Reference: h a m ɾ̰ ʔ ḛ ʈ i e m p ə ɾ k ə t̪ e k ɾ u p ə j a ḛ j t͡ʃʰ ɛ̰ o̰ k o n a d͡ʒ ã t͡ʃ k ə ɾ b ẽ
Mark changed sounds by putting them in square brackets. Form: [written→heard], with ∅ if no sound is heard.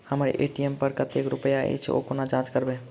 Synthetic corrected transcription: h [a→ə] m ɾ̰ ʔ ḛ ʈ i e m p ə ɾ k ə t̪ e k ɾ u p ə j a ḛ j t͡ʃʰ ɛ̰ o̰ k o n a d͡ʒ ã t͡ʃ k ə ɾ b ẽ

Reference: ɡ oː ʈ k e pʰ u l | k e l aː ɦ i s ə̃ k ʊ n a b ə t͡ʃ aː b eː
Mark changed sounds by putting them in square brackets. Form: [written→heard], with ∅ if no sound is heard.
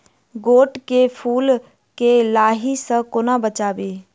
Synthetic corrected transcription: ɡ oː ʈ k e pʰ [u→uː] l | k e l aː ɦ i s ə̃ k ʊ n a b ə t͡ʃ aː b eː

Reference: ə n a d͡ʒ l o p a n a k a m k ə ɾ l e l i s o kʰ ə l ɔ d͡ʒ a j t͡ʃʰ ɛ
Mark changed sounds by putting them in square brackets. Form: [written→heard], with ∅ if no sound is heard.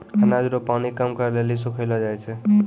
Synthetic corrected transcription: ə n a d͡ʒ [l→ɾ] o p a n [a→i] k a m k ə ɾ l e l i s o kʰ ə l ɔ d͡ʒ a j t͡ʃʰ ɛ

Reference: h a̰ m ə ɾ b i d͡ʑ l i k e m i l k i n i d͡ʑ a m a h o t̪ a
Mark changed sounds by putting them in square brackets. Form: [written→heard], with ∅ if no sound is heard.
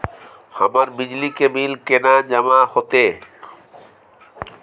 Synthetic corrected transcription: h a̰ m [ə→a] ɾ b i d͡ʑ l i k e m i l k [i→e] n [i→a] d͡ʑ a m a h o t̪ [a→e]

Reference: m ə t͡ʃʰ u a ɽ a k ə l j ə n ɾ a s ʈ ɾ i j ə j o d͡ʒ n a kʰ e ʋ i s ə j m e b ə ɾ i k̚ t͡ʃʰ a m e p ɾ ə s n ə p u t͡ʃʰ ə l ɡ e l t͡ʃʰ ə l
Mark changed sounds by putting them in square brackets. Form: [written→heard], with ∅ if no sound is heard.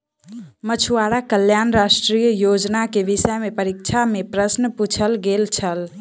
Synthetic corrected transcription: m ə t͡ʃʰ u a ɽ a k ə l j [ə→a] n ɾ a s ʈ ɾ i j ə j o d͡ʒ n a [kʰ→k] e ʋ i s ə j m e [b→p] ə ɾ i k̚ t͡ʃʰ a m e p ɾ ə s n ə p u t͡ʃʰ ə l ɡ e l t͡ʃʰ ə l

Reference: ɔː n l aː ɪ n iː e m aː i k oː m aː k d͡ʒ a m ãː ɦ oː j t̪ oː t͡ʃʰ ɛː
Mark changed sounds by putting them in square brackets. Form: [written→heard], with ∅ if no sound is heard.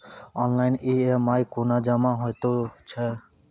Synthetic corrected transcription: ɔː n l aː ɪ n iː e m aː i k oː [m→n] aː [k→∅] d͡ʒ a m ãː ɦ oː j t̪ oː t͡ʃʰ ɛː

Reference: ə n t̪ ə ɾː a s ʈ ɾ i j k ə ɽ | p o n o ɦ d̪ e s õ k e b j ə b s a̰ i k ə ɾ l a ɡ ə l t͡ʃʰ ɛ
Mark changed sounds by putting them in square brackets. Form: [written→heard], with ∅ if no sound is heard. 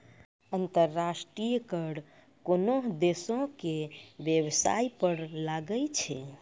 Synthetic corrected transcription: ə n t̪ ə ɾː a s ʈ ɾ i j k ə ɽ | [p→k] o n o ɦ d̪ e s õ k e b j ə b s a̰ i [k→p] ə ɾ l a ɡ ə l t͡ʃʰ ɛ

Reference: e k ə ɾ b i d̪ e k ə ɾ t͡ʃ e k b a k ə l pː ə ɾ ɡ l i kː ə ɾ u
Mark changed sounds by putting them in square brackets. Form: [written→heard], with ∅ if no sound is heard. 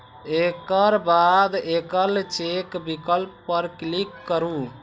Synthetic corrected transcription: e k ə ɾ b [i→a] d̪ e k ə [ɾ→l] t͡ʃ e k b [a→i] k ə l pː ə ɾ [ɡ→k] l i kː ə ɾ u

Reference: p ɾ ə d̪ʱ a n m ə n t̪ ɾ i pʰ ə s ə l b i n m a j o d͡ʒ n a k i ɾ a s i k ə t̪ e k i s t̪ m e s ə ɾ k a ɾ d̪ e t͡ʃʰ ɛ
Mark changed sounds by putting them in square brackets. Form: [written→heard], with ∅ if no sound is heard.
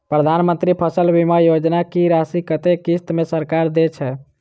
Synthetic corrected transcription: p ɾ ə d̪ʱ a n m ə n t̪ ɾ i pʰ ə s ə l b i [n→∅] m a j o d͡ʒ n a k i ɾ a s i k ə t̪ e k i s t̪ m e s ə ɾ k a ɾ d̪ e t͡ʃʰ ɛ

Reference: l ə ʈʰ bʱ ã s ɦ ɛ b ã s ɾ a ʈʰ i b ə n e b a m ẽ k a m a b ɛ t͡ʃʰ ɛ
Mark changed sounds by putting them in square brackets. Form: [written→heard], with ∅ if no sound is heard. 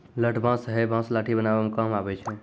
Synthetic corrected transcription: l ə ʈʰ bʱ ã s ɦ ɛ b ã s [ɾ→l] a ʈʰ i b ə n [e→a] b a m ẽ k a m a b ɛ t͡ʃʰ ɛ

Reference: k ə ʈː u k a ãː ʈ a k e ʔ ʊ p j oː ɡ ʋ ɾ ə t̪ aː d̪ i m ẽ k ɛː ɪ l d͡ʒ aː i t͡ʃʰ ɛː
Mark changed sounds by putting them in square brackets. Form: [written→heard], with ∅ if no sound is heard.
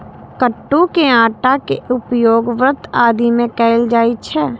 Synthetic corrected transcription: k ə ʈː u k [a→e] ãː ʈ a k e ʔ ʊ p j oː ɡ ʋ ɾ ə t̪ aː d̪ i m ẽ k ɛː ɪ l d͡ʒ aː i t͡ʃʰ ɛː

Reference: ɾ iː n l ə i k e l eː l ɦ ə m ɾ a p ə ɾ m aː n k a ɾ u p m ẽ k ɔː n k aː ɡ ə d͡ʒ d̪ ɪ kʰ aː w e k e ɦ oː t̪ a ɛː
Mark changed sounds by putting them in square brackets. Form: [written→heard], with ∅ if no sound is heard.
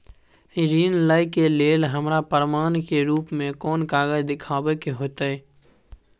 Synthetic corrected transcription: ɾ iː n l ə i k e l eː l ɦ ə m ɾ a p ə ɾ m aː n k [a→e] ɾ [u→uː] p m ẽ k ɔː n k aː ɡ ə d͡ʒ d̪ ɪ kʰ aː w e k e ɦ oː t̪ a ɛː

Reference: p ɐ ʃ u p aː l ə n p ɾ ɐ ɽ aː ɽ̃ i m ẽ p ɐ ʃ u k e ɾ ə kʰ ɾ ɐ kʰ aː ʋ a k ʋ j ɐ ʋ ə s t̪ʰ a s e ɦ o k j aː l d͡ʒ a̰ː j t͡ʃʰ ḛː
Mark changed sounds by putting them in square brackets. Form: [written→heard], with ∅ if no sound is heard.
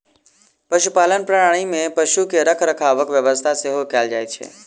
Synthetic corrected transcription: p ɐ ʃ u p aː l ə n p ɾ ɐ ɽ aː ɽ̃ i m ẽ p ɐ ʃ u k e ɾ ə kʰ ɾ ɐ kʰ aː ʋ [a→ə] k ʋ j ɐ ʋ ə s t̪ʰ a s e ɦ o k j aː l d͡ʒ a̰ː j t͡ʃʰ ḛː

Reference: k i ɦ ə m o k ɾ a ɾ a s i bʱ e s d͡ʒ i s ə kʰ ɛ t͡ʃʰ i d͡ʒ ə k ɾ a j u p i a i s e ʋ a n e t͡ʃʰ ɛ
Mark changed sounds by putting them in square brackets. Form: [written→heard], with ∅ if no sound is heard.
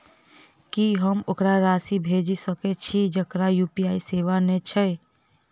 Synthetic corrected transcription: k i ɦ ə m o k ɾ a ɾ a s i bʱ e [s→∅] d͡ʒ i s ə [kʰ→k] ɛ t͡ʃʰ i d͡ʒ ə k ɾ a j u p i a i s e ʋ a n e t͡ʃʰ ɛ

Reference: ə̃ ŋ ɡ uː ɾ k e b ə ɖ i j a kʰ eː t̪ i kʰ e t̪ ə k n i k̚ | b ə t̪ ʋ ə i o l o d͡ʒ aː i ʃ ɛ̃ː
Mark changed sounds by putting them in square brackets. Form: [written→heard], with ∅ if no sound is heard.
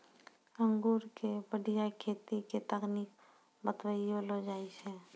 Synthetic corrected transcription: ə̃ ŋ ɡ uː ɾ k e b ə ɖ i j a kʰ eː t̪ i [kʰ→k] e t̪ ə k n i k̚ | b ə t̪ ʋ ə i o l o d͡ʒ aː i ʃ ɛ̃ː

